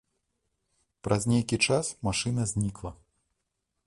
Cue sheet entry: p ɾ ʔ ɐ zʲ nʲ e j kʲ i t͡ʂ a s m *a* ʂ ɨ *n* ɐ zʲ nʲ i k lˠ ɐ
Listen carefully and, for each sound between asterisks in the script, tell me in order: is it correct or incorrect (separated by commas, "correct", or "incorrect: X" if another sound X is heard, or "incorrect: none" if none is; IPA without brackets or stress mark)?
correct, correct